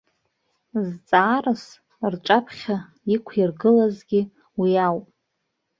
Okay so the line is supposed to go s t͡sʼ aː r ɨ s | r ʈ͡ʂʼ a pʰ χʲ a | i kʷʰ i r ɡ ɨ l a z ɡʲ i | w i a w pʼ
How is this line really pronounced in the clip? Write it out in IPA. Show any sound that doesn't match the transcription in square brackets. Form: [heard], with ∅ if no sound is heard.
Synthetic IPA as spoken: [z] t͡sʼ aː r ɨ s | r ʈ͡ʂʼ a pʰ χʲ a | i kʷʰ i r ɡ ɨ l a z ɡʲ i | w i a w pʼ